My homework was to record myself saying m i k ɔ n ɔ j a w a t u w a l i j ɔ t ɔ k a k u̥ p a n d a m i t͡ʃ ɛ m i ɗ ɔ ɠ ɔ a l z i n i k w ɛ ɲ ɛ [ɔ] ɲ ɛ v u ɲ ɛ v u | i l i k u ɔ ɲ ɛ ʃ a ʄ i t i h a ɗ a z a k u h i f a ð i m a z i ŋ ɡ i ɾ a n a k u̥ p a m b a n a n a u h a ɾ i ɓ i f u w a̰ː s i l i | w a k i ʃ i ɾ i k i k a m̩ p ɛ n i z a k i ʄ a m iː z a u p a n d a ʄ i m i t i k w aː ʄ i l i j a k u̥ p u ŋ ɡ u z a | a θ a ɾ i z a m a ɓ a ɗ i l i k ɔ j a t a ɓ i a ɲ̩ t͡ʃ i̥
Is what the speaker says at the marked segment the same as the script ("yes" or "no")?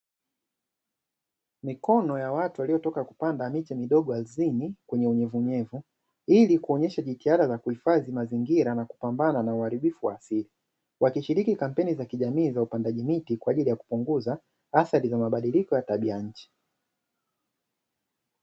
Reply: no